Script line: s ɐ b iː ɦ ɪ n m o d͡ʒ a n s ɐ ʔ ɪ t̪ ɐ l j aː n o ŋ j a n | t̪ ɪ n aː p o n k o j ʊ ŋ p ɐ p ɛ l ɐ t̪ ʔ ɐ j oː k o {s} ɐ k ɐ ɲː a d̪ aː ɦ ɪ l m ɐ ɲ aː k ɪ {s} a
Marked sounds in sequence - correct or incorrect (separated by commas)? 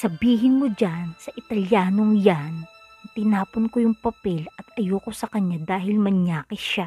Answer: correct, incorrect